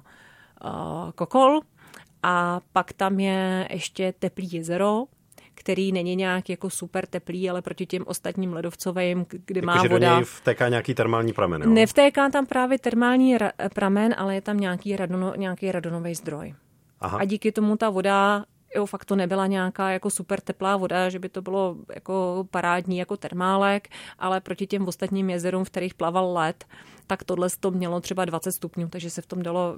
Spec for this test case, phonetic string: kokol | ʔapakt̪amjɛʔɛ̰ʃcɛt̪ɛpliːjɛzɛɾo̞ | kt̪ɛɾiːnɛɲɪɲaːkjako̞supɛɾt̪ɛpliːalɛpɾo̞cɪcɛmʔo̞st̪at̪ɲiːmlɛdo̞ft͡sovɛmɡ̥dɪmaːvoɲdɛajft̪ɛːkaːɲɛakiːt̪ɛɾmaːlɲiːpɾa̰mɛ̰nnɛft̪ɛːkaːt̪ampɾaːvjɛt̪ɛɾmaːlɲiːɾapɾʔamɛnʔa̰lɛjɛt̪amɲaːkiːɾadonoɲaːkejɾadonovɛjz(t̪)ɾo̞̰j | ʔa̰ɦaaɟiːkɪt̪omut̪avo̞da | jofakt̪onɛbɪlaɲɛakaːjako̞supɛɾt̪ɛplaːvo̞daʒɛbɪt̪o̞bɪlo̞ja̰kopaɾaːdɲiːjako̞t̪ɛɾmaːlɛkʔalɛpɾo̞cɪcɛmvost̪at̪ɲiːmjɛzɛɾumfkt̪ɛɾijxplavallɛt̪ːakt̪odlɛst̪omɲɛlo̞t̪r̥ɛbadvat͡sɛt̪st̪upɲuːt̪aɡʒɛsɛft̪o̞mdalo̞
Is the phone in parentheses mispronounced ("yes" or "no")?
yes